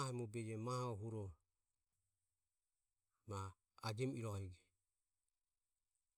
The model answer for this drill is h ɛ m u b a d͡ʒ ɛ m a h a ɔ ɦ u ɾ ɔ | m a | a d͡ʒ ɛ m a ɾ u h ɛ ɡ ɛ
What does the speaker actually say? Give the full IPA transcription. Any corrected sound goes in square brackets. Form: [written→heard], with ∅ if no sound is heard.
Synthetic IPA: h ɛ m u b [a→ɛ] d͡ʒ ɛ m a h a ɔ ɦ u ɾ ɔ | m a | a d͡ʒ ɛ m [a→i] ɾ [u→ɔ] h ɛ ɡ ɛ